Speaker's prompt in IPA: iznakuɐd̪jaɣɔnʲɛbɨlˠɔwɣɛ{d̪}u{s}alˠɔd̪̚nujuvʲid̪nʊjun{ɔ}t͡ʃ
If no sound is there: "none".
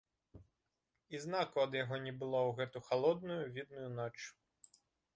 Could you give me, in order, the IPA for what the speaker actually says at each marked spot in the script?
t̪, x, ɔ

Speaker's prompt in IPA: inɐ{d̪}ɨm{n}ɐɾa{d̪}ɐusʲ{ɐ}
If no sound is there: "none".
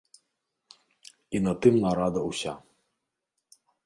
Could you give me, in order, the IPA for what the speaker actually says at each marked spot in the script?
t̪, n, d̪, a

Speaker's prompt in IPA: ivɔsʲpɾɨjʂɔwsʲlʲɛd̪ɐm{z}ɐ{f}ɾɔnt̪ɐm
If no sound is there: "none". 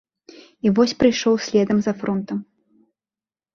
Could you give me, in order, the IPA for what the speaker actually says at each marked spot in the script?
z, f

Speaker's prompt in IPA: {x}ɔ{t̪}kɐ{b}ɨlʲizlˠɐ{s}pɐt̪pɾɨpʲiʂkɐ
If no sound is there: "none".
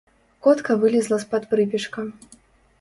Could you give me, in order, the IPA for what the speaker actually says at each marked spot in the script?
k, t̪, v, s

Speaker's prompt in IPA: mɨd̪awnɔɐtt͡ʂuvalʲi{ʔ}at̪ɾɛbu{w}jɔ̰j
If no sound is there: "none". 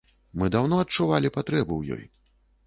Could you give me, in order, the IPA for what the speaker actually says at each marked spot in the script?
p, w

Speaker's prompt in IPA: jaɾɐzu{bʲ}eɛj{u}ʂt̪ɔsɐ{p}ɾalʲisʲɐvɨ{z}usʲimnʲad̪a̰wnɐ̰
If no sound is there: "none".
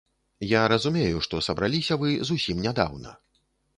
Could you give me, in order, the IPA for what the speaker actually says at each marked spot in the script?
mʲ, u, b, z

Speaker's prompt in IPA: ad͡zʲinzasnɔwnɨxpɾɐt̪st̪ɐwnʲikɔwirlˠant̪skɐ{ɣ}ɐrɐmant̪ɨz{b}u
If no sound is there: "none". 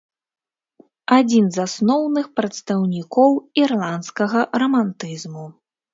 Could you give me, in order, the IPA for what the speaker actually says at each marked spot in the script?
ɣ, m

